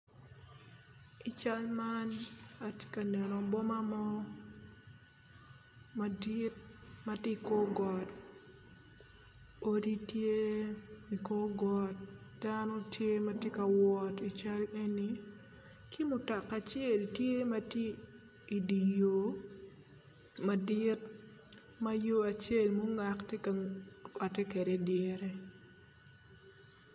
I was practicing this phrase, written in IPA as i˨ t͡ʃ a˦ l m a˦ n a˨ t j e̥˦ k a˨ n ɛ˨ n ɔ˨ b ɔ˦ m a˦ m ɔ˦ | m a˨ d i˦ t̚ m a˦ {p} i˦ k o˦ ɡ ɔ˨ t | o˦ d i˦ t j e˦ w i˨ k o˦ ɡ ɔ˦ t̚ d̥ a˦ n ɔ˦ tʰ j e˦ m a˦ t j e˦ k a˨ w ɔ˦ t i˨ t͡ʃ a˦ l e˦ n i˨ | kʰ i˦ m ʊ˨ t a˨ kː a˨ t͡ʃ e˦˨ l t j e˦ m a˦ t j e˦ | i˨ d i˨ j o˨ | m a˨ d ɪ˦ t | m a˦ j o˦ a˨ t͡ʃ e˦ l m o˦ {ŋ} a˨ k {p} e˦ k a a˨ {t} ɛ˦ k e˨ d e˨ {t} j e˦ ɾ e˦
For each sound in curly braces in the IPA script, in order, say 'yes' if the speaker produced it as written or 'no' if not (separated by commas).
no, yes, no, yes, no